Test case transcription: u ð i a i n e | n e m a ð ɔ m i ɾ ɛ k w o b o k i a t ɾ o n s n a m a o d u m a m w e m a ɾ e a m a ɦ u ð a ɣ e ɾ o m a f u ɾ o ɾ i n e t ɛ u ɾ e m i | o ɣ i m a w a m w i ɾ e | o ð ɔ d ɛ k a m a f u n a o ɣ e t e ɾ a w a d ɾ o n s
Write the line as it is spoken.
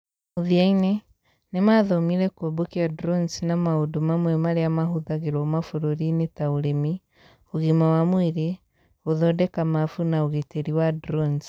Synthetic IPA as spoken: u ð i a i n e | n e m a ð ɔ m i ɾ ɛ k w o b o k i a d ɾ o n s n a m a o d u m a m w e m a ɾ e a m a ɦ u ð a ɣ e ɾ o m a f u ɾ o ɾ i n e t a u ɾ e m i | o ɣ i m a w a m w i ɾ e | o ð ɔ d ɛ k a m a f u n a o ɣ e t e ɾ i w a d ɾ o n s